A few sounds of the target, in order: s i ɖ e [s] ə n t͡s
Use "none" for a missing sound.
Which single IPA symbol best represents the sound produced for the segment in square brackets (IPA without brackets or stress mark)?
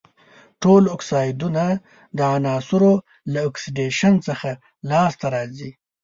ʃ